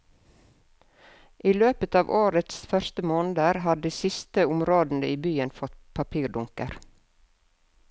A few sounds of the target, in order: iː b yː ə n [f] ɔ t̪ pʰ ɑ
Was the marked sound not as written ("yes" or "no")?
no